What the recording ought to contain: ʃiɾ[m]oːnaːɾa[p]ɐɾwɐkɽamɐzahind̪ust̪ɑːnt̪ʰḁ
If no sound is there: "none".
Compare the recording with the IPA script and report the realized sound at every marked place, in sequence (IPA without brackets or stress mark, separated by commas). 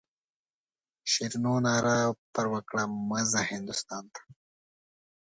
n, p